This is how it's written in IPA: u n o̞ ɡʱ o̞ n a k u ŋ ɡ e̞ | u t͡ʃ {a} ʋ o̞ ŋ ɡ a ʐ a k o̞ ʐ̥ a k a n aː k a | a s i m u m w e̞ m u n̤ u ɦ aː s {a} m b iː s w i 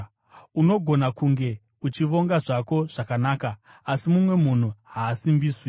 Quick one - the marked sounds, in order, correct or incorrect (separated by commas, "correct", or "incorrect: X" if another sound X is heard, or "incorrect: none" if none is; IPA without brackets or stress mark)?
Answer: incorrect: i, incorrect: i